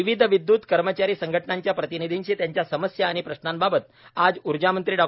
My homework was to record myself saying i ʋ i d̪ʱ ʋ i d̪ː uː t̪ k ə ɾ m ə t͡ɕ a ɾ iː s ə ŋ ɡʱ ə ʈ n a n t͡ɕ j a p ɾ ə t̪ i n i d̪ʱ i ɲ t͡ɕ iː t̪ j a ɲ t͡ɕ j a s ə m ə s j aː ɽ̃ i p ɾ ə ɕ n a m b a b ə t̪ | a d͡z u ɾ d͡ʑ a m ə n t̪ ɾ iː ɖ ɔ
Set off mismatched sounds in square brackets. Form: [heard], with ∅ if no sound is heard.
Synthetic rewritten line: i ʋ i d̪ʱ ʋ i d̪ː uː t̪ k ə ɾ m ə t͡ɕ a ɾ iː s ə ŋ ɡʱ ə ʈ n a [ɲ] t͡ɕ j a p ɾ ə t̪ i n i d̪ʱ i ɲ t͡ɕ iː t̪ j a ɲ t͡ɕ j a s ə m ə s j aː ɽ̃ i p ɾ ə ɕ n a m b a b ə t̪ | a d͡z u ɾ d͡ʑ a m ə n t̪ ɾ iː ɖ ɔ